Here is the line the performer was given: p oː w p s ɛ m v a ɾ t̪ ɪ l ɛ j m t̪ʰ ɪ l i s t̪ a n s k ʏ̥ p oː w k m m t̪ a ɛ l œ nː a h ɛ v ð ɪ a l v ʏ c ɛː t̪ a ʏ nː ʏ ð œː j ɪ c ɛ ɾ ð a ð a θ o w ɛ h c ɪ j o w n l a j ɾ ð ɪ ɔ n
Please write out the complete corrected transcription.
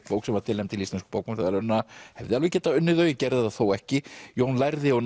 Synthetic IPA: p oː w k s ɛ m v a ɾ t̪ ɪ l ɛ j m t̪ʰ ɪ l i s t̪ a n s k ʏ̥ p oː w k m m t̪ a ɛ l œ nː a h ɛ v ð ɪ a l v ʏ c ɛː t̪ a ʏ nː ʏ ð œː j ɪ c ɛ ɾ ð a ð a θ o w ɛ h c ɪ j o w n l a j ɾ ð ɪ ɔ n